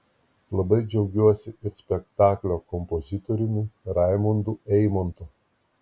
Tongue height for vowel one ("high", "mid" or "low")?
low